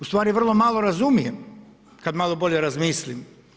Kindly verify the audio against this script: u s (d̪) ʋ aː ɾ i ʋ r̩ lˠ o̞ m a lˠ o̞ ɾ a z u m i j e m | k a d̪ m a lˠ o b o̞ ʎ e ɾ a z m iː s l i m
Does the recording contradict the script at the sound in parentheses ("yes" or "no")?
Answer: yes